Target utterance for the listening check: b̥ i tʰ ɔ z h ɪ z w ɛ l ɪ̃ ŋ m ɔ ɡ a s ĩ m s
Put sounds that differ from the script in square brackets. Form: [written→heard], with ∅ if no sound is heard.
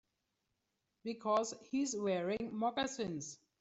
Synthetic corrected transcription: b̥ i [tʰ→kʰ] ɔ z h [ɪ→i] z w ɛ [l→ɹ] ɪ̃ ŋ m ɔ ɡ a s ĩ [m→n] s